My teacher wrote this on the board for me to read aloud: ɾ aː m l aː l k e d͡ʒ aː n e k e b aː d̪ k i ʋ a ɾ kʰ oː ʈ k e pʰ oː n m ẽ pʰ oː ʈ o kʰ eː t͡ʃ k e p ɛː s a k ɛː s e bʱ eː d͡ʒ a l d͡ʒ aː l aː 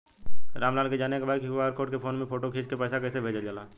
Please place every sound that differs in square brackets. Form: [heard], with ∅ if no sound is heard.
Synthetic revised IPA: ɾ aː m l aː l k e d͡ʒ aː n e k e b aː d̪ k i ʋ a ɾ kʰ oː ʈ k e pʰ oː n m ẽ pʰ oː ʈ o kʰ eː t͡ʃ k e p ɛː s a k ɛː s e bʱ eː d͡ʒ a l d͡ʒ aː l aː